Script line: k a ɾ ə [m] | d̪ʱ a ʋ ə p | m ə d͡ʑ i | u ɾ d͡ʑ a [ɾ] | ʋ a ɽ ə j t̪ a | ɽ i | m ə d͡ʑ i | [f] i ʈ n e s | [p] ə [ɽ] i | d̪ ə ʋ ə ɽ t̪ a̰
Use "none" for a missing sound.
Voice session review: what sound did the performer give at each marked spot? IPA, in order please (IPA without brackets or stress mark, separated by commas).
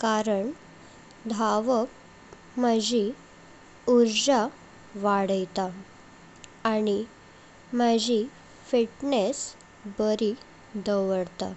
ɳ, none, f, b, ɾ